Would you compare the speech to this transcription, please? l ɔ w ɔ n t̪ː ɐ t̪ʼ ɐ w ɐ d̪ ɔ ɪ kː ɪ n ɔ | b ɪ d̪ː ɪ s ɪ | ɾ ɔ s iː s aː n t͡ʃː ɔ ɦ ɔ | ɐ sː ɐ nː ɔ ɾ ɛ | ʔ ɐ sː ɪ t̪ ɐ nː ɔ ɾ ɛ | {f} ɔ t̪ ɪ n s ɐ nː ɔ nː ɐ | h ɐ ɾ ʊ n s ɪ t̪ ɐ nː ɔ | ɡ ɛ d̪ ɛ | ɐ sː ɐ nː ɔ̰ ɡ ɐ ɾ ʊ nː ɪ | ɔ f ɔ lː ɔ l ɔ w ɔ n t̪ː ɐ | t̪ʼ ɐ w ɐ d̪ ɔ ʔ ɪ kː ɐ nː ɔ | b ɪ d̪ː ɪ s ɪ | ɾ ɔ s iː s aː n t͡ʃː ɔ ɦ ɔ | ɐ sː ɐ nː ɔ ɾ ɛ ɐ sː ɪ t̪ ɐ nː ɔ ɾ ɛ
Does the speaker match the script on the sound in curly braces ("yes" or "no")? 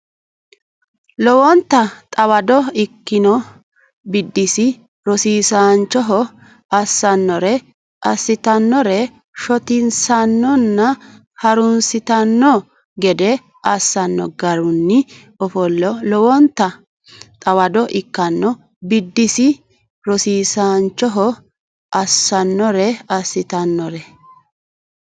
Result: no